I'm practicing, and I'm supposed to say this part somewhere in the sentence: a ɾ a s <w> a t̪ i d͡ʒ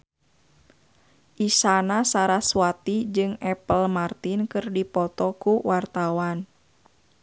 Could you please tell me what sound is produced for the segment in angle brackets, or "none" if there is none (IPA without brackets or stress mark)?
w